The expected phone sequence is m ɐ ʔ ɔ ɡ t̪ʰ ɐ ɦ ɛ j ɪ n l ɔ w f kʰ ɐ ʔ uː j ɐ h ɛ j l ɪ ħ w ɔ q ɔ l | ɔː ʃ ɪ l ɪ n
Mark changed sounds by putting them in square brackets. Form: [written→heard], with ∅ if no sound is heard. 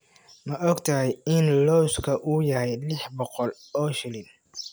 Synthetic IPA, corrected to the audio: m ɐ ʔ ɔ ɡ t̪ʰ ɐ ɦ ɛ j ɪ n l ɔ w [f→s] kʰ ɐ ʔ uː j ɐ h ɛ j l ɪ ħ [w→b] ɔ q ɔ l | ɔː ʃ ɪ l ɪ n